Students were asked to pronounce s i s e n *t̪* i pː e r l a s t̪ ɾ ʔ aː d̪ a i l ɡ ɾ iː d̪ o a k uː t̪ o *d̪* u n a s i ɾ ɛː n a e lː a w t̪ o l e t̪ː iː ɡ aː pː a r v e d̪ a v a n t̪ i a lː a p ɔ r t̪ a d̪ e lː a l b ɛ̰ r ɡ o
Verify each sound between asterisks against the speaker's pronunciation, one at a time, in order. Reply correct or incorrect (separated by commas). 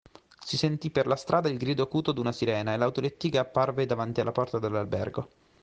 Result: correct, correct